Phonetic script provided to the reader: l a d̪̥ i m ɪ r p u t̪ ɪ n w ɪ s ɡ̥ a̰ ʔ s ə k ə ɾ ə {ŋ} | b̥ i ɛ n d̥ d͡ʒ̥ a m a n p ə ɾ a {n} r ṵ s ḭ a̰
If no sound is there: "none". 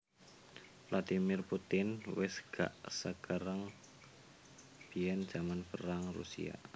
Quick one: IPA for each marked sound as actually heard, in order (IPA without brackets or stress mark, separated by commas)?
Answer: ŋ, ŋ